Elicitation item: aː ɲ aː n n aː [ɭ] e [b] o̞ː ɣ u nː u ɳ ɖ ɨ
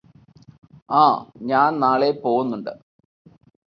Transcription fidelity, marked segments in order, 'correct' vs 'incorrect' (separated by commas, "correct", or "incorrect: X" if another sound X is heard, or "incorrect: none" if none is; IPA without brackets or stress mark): correct, incorrect: p